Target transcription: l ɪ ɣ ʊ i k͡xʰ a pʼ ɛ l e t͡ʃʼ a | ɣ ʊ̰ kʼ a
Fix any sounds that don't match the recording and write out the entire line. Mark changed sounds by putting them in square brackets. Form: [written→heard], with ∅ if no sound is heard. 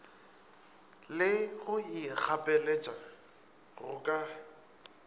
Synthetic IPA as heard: l ɪ ɣ ʊ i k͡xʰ a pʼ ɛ l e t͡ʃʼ a | ɣ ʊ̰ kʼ a